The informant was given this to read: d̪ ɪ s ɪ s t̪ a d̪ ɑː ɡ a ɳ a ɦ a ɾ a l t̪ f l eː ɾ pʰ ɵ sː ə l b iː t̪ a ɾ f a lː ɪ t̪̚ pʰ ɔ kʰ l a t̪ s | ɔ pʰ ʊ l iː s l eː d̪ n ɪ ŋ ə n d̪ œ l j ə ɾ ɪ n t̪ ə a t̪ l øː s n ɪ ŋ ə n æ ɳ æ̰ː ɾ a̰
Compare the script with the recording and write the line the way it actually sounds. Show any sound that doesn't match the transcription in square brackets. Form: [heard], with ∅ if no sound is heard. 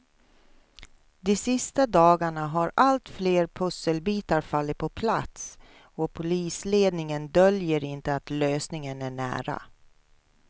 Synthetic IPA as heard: d̪ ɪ s ɪ s t̪ a d̪ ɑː ɡ a ɳ a ɦ a ɾ a l t̪ f l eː ɾ pʰ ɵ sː ə l b iː t̪ a ɾ f a lː ɪ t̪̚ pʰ ɔ [pʰ] l a t̪ s | ɔ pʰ ʊ l iː s l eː d̪ n ɪ ŋ ə n d̪ œ l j ə ɾ ɪ n t̪ ə a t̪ l øː s n ɪ ŋ ə n æ ɳ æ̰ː ɾ a̰